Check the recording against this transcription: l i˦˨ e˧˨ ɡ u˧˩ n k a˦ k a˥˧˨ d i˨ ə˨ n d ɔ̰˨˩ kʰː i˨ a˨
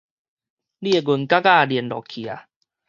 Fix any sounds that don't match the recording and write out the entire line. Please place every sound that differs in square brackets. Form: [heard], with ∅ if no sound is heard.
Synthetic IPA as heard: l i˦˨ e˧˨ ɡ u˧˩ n k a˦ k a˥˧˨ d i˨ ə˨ n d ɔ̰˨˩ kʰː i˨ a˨